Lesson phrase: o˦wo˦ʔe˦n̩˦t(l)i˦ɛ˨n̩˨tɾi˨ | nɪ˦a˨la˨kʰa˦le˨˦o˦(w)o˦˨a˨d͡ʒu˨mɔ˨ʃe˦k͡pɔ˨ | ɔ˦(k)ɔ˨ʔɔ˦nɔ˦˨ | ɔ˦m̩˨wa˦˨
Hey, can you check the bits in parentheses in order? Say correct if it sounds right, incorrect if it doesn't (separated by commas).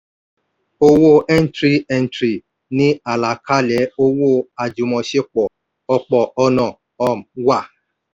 incorrect, correct, incorrect